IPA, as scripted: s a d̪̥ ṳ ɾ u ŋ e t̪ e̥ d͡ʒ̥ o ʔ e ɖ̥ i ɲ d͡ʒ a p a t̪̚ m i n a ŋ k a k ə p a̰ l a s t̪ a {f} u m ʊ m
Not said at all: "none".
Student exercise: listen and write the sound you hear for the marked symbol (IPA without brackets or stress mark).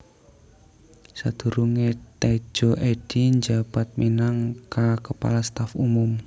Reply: f